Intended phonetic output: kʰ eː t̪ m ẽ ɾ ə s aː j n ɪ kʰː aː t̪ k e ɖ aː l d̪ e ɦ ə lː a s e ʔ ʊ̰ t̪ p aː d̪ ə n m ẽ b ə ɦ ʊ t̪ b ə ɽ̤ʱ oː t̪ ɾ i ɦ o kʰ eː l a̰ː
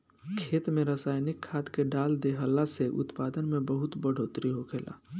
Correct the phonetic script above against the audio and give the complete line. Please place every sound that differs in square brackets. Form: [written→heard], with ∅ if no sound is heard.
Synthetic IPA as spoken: kʰ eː t̪ m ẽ ɾ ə s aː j n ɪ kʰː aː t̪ k e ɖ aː l d̪ e ɦ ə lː a s e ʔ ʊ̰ t̪ p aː d̪ ə n m ẽ b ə ɦ ʊ t̪ b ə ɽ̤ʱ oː t̪ ɾ i ɦ o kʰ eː l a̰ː